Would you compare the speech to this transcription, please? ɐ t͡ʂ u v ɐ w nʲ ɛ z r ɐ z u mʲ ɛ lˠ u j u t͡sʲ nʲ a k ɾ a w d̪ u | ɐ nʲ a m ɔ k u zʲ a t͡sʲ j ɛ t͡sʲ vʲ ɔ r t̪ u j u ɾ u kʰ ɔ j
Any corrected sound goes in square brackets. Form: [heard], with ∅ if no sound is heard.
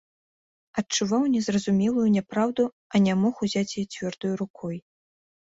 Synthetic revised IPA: ɐ t͡ʂ u v [a] w nʲ ɛ z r ɐ z u mʲ ɛ lˠ u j u [∅] nʲ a [p] ɾ a w d̪ u | ɐ nʲ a m ɔ [x] u zʲ a t͡sʲ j ɛ t͡sʲ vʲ ɔ r [d̪] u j u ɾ u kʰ ɔ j